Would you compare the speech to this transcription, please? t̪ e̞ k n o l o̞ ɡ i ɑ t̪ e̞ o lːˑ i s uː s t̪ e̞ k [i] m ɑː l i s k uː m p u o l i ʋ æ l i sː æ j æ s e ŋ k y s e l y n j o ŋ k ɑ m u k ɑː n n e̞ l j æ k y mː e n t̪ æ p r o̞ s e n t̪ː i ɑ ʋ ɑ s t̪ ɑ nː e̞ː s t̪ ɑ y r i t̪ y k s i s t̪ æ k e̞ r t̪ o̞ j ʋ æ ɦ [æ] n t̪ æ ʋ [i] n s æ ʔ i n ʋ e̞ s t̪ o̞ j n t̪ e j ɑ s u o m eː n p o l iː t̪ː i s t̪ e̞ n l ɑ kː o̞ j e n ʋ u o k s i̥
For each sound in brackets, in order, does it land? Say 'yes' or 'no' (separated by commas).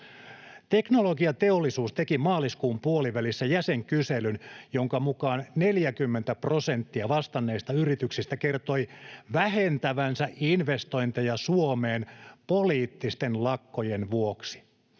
yes, no, no